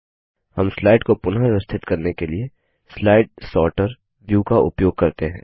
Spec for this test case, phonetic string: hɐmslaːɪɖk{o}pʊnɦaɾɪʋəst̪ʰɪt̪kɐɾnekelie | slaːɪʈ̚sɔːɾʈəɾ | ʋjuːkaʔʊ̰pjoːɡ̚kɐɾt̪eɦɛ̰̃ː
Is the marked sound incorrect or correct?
correct